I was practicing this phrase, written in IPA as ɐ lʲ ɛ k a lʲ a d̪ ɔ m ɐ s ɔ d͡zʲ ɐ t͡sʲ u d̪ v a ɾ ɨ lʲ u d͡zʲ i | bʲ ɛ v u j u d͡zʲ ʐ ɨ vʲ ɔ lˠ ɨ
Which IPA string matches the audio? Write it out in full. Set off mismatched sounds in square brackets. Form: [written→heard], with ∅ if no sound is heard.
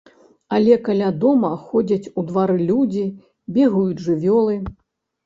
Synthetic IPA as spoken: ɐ lʲ ɛ k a lʲ a d̪ ɔ m ɐ [s→x] ɔ d͡zʲ ɐ t͡sʲ u d̪ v a ɾ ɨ lʲ u d͡zʲ i | bʲ ɛ [v→ɣ] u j u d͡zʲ ʐ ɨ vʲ ɔ lˠ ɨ